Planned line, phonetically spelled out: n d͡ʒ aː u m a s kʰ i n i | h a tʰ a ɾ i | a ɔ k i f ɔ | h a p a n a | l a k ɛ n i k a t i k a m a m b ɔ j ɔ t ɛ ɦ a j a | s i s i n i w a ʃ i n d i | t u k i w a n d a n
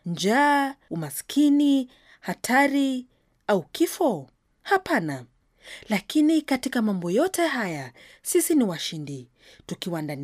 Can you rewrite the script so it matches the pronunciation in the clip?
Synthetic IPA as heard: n d͡ʒ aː u m a s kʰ i n i | h a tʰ a ɾ i | a u k i f ɔ | h a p a n a | l a k i n i k a t i k a m a m b ɔ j ɔ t ɛ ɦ a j a | s i s i n i w a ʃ i n d i | t u k i w a n d a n